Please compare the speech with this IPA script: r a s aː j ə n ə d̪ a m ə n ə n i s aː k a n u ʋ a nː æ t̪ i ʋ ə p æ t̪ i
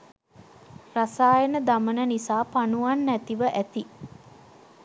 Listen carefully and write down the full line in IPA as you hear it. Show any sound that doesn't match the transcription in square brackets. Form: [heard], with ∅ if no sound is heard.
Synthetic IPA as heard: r a s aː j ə n ə d̪ a m ə n ə n i s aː [p] a n u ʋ a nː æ t̪ i ʋ ə [ʔ] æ t̪ i